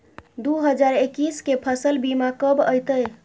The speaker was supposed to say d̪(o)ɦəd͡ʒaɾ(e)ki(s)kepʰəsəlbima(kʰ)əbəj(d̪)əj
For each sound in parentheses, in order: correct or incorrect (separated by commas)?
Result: incorrect, correct, correct, incorrect, incorrect